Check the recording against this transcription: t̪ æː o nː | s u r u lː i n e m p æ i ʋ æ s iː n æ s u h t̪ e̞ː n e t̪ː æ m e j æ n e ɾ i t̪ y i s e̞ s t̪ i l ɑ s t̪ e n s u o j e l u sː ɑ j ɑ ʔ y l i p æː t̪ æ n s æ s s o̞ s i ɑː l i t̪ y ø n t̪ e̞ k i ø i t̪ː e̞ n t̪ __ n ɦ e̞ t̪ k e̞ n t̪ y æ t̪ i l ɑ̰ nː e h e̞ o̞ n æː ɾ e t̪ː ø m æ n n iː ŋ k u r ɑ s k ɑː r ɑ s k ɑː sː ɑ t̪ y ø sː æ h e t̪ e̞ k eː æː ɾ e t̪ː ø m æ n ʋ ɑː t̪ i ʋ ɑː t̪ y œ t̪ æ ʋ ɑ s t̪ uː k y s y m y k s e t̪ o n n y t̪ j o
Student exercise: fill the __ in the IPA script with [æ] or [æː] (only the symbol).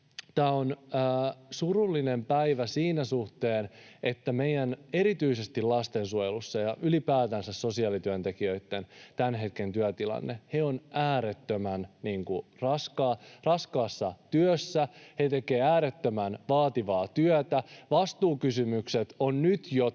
æ